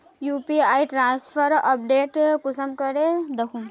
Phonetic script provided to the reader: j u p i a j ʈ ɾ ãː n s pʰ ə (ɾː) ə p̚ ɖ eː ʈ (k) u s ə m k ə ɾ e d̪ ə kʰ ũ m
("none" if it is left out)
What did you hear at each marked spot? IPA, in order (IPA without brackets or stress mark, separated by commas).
ɾ, k